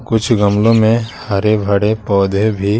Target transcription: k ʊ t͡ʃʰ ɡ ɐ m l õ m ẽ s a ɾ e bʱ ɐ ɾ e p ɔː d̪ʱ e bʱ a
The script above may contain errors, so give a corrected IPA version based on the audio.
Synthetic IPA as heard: k ʊ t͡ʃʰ ɡ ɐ m l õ m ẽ h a ɾ e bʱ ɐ ɽ e p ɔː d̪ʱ e bʱ i